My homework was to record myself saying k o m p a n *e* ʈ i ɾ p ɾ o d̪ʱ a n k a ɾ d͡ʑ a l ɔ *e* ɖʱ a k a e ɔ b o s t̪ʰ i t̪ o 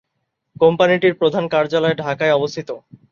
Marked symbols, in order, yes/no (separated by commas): no, yes